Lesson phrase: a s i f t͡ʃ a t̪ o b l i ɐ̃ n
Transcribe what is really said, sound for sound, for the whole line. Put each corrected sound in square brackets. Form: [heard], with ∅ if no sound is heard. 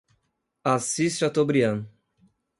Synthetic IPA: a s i [s] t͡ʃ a t̪ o b [ɾ] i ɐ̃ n